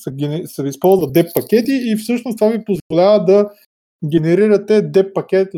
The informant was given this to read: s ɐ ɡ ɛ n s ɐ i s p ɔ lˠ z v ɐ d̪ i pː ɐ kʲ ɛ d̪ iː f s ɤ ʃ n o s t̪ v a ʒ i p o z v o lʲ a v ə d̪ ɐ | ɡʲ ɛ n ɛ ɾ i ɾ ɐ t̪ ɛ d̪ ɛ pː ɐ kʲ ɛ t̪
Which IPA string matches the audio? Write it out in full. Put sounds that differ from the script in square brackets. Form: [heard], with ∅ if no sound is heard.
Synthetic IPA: s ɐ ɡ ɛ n s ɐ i s p ɔ lˠ z v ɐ d̪ [ɛ] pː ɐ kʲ ɛ [t̪] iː f s ɤ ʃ n o s t̪ v a [v] i p o z v o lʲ a v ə d̪ ɐ | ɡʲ ɛ n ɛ ɾ i ɾ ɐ t̪ ɛ d̪ ɛ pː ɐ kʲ ɛ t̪